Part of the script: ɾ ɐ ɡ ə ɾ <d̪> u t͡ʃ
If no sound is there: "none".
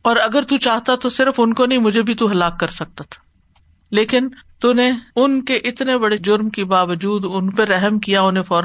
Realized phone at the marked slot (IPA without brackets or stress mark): t̪